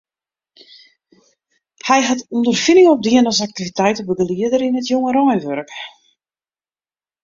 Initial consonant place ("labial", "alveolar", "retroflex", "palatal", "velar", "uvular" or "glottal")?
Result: glottal